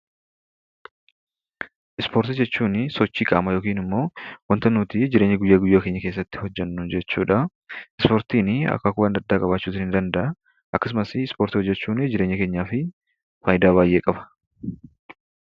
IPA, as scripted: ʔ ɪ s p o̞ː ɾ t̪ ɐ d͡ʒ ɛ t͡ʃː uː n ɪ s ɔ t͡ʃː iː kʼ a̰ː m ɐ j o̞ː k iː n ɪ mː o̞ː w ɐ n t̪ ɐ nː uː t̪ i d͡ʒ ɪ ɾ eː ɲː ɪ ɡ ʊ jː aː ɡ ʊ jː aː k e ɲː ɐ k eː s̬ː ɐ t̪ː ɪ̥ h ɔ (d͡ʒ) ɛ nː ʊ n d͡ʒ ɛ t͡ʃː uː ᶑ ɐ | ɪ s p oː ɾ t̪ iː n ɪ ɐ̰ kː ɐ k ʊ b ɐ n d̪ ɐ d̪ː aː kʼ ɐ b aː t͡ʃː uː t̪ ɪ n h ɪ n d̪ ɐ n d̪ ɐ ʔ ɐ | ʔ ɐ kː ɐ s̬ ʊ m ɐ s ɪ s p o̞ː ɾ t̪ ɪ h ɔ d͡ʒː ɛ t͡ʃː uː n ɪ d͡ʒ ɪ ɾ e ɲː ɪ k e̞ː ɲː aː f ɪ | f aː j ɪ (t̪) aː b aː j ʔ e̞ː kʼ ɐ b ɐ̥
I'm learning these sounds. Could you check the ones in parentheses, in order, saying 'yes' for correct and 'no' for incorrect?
no, no

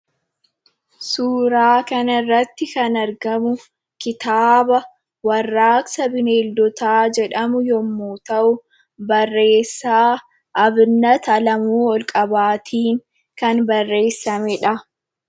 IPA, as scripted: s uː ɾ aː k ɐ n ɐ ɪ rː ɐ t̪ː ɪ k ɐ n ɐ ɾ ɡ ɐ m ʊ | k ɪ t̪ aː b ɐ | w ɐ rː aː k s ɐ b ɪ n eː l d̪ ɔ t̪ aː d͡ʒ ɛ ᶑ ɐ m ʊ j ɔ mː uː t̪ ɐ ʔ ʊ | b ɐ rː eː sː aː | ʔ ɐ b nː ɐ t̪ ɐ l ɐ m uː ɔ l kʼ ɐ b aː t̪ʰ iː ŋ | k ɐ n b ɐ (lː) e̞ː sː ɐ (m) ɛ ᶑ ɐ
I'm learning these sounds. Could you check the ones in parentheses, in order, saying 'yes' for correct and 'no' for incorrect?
no, yes

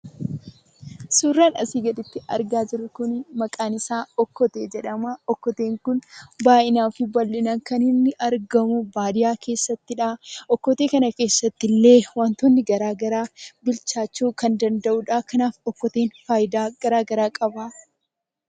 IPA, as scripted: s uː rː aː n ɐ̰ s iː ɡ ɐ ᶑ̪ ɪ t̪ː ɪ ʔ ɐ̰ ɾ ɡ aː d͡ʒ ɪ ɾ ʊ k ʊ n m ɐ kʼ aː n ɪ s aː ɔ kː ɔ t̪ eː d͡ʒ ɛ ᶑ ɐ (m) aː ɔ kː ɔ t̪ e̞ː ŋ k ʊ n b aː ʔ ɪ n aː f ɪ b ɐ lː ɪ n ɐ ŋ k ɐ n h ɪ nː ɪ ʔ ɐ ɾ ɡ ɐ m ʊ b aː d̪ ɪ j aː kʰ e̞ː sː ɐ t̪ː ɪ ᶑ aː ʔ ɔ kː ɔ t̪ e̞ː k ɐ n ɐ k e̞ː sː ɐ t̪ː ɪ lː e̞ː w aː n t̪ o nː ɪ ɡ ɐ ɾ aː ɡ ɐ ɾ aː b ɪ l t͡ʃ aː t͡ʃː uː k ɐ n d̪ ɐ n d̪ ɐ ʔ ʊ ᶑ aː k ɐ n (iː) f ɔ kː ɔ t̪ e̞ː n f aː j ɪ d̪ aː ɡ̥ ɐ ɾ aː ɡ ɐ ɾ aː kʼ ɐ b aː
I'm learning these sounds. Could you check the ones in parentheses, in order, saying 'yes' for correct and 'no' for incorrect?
yes, no

